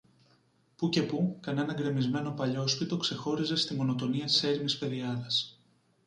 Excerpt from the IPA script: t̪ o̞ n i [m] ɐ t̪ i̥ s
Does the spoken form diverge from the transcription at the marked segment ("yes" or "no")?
yes